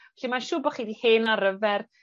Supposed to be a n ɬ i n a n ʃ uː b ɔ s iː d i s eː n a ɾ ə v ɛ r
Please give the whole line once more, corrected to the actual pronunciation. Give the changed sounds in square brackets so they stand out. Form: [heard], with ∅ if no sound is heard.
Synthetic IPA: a [∅] ɬ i [m] a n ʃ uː b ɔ [χ] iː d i [h] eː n a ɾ ə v ɛ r